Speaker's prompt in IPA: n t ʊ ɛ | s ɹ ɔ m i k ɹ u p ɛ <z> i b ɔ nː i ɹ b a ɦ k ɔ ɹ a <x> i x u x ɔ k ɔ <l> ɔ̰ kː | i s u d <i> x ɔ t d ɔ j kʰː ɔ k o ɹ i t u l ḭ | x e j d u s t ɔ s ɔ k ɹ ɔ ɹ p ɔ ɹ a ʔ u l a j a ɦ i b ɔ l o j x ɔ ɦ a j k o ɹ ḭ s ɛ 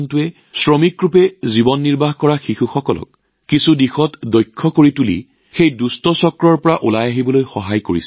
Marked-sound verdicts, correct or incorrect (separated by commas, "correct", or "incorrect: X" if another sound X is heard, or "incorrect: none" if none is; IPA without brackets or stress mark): correct, correct, correct, correct